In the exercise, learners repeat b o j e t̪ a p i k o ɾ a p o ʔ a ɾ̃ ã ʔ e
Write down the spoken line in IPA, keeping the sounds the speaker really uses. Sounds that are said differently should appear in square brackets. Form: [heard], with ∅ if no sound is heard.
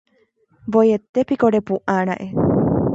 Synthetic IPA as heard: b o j e t̪ [e] p i k o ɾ [e] p [u] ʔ a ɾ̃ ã ʔ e